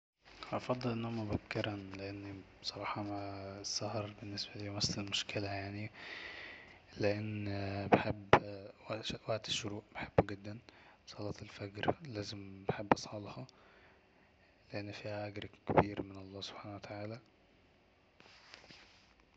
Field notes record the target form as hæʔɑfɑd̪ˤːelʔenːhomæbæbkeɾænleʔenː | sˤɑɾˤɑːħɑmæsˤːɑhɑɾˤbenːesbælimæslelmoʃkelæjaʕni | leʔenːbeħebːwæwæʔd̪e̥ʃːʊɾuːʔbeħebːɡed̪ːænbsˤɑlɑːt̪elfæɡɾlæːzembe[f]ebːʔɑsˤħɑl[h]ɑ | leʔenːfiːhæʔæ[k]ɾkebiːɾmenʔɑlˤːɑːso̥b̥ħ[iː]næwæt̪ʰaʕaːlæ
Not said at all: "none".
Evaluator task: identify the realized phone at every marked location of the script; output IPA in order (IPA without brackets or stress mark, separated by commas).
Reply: ħ, h, ɡ, aː